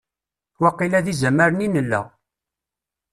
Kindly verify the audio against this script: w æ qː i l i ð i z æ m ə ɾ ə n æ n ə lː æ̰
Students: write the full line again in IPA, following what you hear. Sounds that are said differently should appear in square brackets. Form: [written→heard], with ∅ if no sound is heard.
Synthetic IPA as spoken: w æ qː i l [i→æ] ð i z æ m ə ɾ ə n [æ→i] n ə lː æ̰